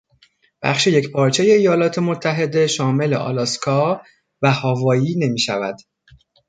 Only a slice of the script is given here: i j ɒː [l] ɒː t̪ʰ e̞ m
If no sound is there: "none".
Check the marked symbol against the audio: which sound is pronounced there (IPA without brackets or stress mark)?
l